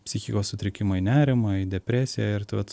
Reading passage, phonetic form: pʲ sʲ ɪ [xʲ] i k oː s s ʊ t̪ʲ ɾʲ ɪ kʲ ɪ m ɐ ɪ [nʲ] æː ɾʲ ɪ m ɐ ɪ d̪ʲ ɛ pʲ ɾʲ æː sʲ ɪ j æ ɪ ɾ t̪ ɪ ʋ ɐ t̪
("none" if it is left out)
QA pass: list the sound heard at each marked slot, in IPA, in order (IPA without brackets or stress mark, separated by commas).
xʲ, nʲ